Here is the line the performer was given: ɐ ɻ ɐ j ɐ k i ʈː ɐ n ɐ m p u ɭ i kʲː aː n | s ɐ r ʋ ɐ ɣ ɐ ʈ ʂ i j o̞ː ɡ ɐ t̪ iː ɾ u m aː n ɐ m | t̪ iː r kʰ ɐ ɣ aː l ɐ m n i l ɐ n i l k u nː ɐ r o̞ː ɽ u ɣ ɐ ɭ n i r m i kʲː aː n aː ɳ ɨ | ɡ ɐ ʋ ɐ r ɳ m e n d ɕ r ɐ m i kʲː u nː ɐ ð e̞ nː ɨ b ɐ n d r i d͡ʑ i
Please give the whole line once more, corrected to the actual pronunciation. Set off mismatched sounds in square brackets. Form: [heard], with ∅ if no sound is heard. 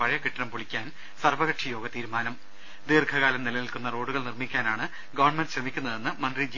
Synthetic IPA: ɐ ɻ ɐ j ɐ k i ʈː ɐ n ɐ m p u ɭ i kʲː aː n | s ɐ r ʋ ɐ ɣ ɐ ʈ ʂ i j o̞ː ɡ ɐ t̪ iː ɾ u m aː n ɐ m | [d̪] iː r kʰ ɐ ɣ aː l ɐ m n i l ɐ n i l k u nː ɐ r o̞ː ɽ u ɣ ɐ ɭ n i r m i kʲː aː n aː ɳ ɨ | ɡ ɐ ʋ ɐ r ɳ m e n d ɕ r ɐ m i kʲː u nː ɐ ð e̞ nː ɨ [m] ɐ n d r i d͡ʑ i